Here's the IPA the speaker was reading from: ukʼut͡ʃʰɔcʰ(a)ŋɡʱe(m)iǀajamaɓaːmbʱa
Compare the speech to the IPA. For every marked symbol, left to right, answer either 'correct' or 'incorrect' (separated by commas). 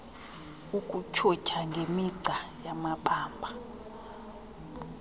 correct, correct